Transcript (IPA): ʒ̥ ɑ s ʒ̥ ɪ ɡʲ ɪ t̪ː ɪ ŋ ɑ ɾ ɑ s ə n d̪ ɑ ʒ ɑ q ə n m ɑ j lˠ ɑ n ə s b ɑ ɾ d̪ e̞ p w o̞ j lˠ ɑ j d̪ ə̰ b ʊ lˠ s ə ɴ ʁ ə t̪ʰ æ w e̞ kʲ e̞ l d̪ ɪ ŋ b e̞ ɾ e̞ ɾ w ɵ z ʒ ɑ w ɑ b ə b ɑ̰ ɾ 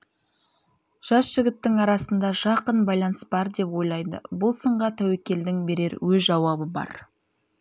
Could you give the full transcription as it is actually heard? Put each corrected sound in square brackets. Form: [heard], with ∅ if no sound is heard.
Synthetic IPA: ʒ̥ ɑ s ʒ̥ ɪ ɡʲ ɪ t̪ː ɪ ŋ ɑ ɾ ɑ s ə n d̪ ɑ ʒ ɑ q ə n [b] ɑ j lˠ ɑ n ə s b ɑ ɾ d̪ e̞ p w o̞ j lˠ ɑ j d̪ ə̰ b ʊ lˠ s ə ɴ ʁ [ɑ] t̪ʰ æ w e̞ kʲ e̞ l d̪ ɪ ŋ b e̞ ɾ e̞ ɾ w ɵ z ʒ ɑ w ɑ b ə b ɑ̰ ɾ